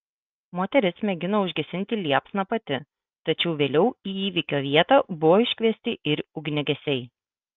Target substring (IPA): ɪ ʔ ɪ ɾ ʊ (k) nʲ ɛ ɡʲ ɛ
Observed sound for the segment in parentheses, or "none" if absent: ɡ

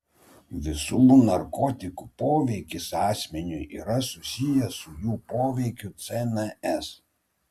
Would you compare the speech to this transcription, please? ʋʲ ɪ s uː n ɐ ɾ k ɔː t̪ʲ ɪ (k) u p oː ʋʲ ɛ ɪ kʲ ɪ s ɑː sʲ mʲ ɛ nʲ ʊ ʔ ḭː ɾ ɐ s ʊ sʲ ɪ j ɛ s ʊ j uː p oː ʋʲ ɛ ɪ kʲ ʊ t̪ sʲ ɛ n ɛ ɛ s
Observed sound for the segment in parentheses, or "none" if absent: k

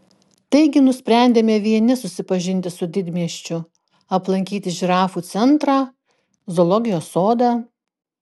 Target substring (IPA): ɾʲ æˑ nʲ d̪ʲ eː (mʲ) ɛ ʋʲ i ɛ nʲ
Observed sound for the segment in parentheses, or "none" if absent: mʲ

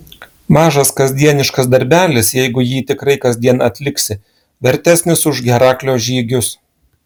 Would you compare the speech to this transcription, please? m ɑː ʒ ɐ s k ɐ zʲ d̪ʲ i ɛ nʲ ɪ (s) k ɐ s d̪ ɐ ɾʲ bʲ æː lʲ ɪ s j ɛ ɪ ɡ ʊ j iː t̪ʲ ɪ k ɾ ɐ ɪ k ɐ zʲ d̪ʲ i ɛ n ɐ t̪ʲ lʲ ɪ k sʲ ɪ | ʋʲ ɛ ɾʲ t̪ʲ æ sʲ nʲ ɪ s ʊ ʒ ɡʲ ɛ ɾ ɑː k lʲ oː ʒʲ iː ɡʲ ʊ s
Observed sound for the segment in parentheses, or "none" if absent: ʃ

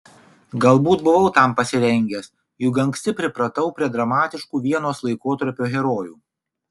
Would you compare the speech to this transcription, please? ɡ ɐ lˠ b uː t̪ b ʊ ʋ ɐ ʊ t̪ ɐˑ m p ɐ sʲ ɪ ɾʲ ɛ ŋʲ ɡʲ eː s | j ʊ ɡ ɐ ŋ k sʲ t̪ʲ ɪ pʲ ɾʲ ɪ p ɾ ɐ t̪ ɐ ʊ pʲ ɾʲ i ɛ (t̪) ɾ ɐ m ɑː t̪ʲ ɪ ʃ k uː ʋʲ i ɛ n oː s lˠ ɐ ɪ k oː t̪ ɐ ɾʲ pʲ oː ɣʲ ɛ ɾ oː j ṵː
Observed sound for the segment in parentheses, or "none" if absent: d̪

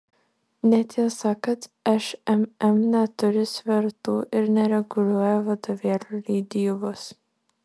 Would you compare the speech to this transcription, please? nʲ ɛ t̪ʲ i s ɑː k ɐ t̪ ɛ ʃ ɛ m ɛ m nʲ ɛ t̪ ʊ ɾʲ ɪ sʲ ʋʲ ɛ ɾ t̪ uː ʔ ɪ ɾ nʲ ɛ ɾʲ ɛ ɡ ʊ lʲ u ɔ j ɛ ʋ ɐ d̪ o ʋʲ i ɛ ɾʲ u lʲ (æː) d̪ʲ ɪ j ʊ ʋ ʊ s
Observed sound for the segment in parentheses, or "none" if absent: iː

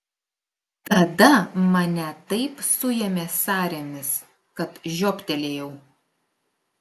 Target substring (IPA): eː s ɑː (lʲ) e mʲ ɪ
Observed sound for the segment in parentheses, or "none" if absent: ɾʲ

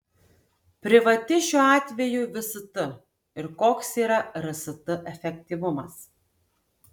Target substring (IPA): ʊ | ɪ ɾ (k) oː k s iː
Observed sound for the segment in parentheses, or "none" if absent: k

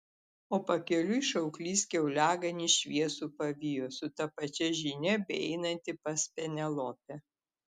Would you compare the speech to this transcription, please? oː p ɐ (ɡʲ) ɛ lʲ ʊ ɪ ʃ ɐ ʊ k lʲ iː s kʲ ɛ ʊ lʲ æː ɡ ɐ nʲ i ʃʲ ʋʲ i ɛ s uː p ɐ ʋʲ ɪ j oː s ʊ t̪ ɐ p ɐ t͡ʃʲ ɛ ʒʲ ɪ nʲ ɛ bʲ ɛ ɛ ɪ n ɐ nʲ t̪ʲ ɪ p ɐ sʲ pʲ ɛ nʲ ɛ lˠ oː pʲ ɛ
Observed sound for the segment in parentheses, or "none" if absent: kʲ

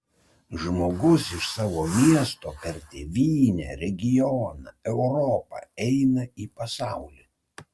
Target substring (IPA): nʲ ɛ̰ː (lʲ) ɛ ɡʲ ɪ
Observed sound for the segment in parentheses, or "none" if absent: ɾʲ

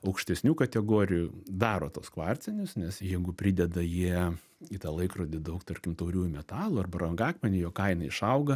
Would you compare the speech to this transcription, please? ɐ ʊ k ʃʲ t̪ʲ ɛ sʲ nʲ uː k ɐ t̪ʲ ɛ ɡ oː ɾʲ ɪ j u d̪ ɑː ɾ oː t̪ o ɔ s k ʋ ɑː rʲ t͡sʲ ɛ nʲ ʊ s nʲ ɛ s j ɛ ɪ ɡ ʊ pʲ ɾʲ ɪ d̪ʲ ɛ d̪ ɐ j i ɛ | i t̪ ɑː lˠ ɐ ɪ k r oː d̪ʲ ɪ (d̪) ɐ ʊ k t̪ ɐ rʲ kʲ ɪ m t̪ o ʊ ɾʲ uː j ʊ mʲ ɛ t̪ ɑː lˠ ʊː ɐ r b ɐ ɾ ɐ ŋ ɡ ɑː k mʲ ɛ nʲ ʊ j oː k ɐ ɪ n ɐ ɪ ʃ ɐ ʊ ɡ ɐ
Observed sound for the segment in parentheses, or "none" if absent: d̪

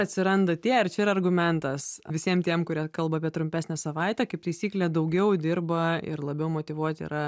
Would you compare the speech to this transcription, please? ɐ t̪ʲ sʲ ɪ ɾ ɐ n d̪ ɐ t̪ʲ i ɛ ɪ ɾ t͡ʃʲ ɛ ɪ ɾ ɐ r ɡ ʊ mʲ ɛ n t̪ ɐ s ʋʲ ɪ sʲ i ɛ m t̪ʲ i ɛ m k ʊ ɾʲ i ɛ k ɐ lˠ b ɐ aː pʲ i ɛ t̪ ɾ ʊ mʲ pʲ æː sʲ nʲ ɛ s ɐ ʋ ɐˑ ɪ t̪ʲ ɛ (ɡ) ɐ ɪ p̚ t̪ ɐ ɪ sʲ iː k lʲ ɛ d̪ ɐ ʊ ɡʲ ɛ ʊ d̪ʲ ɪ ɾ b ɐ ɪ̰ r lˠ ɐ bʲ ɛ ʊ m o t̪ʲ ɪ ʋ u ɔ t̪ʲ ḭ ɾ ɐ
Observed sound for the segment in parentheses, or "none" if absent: k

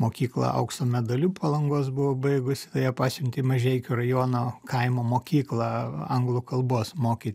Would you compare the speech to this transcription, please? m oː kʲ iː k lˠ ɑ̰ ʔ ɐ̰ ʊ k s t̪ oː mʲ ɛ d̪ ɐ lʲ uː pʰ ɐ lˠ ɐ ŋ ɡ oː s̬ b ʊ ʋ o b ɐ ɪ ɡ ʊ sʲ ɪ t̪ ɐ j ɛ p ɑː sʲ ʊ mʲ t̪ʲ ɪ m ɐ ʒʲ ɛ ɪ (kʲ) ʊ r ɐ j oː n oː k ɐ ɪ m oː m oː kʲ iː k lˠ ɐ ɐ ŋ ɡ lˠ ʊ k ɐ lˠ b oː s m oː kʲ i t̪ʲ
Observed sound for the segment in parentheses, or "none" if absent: kʲ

